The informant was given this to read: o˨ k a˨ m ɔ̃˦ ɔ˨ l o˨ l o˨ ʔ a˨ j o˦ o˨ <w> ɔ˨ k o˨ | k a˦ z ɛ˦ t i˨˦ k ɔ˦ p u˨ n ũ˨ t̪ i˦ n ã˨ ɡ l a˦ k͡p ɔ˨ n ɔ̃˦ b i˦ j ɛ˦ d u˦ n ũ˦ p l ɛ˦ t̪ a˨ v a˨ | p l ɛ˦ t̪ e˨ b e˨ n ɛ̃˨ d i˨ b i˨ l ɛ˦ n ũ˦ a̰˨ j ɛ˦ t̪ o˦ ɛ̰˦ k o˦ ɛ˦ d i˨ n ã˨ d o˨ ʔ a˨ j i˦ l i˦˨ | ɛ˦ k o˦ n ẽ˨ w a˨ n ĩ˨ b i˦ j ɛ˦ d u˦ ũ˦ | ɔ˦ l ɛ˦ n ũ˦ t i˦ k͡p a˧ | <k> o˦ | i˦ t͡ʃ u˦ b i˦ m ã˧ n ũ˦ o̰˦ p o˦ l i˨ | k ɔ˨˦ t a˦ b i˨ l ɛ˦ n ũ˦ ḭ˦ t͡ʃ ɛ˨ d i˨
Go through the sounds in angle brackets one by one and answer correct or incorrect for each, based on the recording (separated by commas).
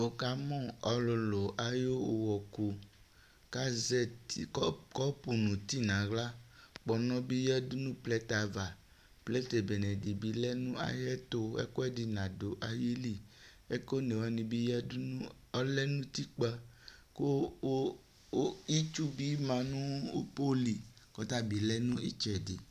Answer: correct, correct